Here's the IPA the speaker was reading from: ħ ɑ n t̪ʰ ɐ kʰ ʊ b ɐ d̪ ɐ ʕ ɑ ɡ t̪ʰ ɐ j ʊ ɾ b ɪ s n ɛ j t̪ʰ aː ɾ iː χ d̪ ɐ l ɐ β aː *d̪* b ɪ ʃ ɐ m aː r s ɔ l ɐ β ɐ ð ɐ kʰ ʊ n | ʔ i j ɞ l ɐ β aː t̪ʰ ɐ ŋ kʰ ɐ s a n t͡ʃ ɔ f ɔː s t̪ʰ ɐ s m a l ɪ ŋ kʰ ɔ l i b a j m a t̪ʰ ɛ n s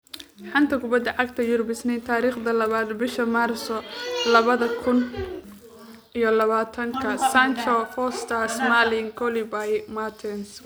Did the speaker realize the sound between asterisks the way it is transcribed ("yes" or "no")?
yes